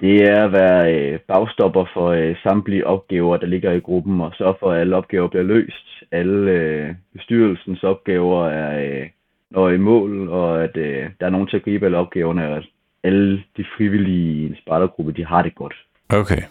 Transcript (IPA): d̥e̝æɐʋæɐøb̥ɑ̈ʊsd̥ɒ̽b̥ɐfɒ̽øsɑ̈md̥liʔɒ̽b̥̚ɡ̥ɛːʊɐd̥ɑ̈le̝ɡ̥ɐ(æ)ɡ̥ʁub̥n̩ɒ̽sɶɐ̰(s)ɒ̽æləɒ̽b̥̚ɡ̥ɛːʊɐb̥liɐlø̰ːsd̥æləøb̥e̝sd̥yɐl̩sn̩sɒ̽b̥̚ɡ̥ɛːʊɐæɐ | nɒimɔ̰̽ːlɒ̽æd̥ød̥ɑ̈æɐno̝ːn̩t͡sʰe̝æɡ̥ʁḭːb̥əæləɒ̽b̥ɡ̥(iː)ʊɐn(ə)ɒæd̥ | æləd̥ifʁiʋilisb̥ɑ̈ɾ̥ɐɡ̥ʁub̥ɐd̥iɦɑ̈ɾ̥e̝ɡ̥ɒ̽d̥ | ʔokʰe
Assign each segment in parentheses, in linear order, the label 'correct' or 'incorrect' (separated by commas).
incorrect, incorrect, incorrect, correct